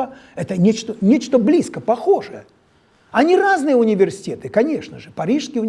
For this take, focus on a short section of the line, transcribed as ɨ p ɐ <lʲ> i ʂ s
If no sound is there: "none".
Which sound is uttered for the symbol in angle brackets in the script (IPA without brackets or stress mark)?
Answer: ɾʲ